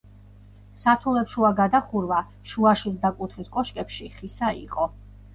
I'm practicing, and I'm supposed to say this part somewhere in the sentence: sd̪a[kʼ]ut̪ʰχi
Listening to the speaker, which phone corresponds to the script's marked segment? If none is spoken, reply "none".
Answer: kʼ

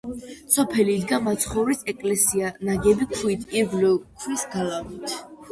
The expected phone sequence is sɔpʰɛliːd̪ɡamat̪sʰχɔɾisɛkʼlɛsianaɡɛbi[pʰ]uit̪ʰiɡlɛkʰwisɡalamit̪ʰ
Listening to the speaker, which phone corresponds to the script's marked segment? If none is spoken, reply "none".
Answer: kʰ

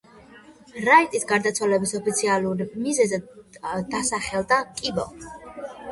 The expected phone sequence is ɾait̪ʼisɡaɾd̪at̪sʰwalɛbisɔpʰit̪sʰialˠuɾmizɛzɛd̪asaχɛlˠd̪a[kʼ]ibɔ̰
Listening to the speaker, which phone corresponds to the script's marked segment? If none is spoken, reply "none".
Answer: kʼ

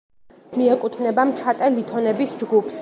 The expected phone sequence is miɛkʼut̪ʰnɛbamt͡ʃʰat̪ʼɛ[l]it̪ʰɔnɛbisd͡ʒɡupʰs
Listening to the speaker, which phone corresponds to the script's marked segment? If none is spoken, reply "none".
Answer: l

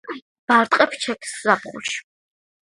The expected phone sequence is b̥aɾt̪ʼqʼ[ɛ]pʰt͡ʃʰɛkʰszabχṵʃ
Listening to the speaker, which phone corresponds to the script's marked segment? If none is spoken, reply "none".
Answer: ɛ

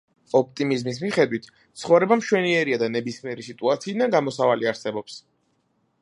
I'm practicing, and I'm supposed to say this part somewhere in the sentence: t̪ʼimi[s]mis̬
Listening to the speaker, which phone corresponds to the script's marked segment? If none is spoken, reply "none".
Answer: z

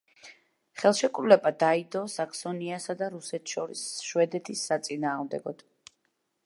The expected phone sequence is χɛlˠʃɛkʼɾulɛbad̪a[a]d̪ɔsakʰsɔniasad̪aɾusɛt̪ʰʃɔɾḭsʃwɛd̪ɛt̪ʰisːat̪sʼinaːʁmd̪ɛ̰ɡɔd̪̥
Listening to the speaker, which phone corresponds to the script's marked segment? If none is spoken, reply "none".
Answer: i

